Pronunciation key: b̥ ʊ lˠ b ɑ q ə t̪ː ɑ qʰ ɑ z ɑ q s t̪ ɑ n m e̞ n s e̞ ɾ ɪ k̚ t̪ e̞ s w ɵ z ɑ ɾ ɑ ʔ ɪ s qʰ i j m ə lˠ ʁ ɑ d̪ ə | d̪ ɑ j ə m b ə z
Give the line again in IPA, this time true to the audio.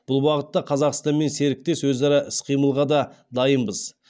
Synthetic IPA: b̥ ʊ lˠ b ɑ q ə t̪ː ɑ qʰ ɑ z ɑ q s t̪ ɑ n m e̞ n s e̞ ɾ ɪ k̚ t̪ e̞ s w ɵ z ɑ ɾ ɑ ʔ ɪ s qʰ i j m ə lˠ ʁ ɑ d̪ ɑ | d̪ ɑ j ə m b ə z

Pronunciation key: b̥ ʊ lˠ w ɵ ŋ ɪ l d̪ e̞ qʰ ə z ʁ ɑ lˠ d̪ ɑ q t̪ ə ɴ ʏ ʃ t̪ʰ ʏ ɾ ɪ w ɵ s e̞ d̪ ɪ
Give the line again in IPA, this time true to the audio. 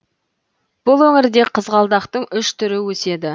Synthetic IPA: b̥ ʊ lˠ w ɵ ŋ ɪ ɾ d̪ e̞ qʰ ə z ʁ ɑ lˠ d̪ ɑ q t̪ ə ɴ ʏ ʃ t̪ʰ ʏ ɾ ɪ w ɵ s e̞ d̪ ɪ

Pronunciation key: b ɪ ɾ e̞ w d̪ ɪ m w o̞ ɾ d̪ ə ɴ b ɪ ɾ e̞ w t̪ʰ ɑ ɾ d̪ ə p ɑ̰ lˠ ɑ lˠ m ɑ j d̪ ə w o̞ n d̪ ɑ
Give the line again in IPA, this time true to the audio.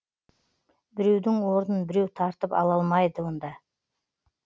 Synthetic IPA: b ɪ ɾ e̞ w d̪ ɪ ŋ w o̞ ɾ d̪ ə n b ɪ ɾ e̞ w t̪ʰ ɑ ɾ t̪ ə p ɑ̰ lˠ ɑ lˠ m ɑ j d̪ ə w o̞ n d̪ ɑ

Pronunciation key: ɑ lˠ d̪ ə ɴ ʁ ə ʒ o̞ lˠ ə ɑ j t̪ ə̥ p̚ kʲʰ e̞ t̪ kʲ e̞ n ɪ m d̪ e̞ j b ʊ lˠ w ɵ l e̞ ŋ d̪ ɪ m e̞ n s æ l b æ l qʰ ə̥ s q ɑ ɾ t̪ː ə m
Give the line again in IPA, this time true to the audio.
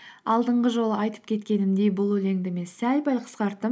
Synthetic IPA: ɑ lˠ d̪ ə ɴ ʁ ə ʒ o̞ lˠ ə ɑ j t̪ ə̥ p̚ kʲʰ e̞ t̪ kʲ e̞ n ɪ m d̪ e̞ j b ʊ lˠ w ɵ l e̞ ŋ d̪ ɪ m e̞ n s æ l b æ l qʰ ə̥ s q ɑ ɾ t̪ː ə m

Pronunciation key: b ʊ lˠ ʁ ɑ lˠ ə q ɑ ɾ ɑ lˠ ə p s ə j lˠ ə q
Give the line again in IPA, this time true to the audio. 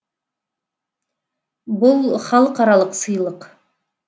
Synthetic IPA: b ʊ lˠ χ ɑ lˠ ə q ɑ ɾ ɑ lˠ ə q s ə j lˠ ə q

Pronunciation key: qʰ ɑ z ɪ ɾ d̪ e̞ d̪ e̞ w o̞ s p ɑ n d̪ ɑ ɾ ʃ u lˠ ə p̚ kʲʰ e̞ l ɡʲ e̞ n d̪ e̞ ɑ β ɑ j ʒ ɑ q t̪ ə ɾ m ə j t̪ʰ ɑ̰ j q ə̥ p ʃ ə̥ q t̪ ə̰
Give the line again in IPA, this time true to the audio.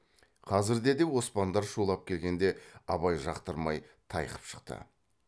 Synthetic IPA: qʰ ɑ z ɪ ɾ d̪ e̞ d̪ e̞ w o̞ s p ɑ n d̪ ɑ ɾ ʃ u lˠ ɑ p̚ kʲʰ e̞ l ɡʲ e̞ n d̪ e̞ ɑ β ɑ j ʒ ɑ q t̪ ə ɾ m ɑ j t̪ʰ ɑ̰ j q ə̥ p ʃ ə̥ q t̪ ə̰

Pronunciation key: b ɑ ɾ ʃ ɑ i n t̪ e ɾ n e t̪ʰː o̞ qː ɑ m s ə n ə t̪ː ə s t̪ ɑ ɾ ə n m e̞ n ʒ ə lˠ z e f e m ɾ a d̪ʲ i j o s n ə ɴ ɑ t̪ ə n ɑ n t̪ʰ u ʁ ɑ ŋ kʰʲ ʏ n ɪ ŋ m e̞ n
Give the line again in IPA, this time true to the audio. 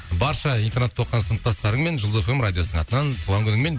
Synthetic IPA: b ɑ ɾ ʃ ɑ i n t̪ e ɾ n e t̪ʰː o̞ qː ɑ n s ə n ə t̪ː ɑ s t̪ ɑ ɾ ə ɴ m e̞ n ʒ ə lˠ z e f e m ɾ a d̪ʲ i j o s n ə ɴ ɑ t̪ ə n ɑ n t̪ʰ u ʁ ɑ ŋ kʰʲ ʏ n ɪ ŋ m e̞ n

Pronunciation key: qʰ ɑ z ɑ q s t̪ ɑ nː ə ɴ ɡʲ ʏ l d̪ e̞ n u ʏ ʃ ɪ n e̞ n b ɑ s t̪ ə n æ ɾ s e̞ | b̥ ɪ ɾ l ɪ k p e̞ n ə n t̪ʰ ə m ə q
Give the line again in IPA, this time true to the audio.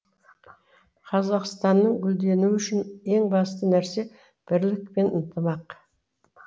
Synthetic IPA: qʰ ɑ z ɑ q s t̪ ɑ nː ə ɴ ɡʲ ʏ l d̪ e̞ n u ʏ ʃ ɪ n e̞ ŋ b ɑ s t̪ ə n æ ɾ s e̞ | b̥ ɪ ɾ l ɪ k p e̞ n ə n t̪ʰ ə m ɑ q

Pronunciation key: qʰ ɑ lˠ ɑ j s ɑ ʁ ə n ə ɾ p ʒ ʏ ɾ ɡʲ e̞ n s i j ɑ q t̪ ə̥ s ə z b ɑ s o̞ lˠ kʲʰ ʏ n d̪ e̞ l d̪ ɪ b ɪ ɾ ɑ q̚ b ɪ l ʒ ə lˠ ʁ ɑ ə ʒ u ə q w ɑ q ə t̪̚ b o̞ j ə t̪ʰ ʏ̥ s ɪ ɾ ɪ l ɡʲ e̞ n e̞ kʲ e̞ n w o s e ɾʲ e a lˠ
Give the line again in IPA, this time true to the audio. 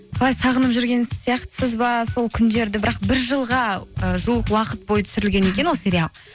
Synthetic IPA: qʰ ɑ lˠ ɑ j s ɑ ʁ ə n ə p ʒ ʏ ɾ ɡʲ e̞ n s i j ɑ q t̪ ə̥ s ə z b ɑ s o̞ lˠ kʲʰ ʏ n d̪ e̞ ɾ d̪ ɪ b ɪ ɾ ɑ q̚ b ɪ ɾ ʒ ə lˠ ʁ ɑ ə ʒ u ə q w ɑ q ə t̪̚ b o̞ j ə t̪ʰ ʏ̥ s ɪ ɾ ɪ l ɡʲ e̞ n e̞ kʲ e̞ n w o s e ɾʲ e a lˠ

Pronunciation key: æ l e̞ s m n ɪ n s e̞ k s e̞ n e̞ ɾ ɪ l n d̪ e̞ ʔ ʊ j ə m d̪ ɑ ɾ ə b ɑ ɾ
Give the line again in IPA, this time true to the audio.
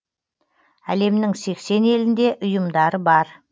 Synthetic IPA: æ l e̞ m n ɪ ŋ s e̞ k s e̞ n e̞ l ɪ n d̪ e̞ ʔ ʊ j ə m d̪ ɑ ɾ ə b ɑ ɾ

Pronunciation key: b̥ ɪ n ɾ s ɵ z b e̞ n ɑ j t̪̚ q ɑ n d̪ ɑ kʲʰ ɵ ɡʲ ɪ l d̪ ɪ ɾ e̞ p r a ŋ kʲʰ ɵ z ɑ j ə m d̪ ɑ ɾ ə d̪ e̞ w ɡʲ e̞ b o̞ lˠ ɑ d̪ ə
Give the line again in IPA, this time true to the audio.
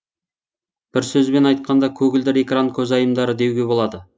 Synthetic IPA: b̥ ɪ ɾ s ɵ z b e̞ n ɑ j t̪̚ q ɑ n d̪ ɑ kʲʰ ɵ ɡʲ ɪ l d̪ ɪ ɾ e̞ k r a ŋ kʲʰ ɵ z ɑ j ə m d̪ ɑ ɾ ə d̪ e̞ w ɡʲ e̞ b o̞ lˠ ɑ d̪ ə

